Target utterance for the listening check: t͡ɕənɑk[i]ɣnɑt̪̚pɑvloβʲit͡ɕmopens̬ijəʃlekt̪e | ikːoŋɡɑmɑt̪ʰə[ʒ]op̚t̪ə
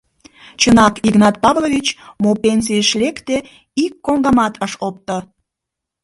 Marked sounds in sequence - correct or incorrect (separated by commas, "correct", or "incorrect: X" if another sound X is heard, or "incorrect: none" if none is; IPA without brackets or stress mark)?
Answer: correct, incorrect: ʃ